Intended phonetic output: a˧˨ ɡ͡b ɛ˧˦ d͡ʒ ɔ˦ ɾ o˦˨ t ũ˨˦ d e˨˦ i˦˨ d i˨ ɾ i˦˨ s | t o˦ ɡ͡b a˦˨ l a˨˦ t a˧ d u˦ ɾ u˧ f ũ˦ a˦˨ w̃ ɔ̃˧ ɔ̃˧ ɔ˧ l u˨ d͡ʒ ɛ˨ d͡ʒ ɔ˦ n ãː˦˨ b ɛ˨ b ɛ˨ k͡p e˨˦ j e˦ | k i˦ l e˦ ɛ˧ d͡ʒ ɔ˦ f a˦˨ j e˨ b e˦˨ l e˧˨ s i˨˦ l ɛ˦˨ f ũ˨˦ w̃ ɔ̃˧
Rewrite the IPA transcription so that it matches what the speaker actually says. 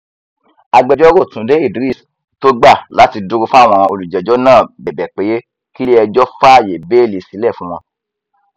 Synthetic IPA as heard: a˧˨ ɡ͡b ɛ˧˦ d͡ʒ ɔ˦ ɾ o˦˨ t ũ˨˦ d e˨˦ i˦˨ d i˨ ɾ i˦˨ s | t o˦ ɡ͡b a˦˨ l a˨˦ t i˧ d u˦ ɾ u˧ f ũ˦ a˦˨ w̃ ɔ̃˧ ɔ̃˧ o˧ l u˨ d͡ʒ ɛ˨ d͡ʒ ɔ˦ n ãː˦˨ b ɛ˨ b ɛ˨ k͡p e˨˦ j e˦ | k i˦ l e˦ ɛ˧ d͡ʒ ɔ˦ f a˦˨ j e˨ b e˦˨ l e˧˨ s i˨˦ l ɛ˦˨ f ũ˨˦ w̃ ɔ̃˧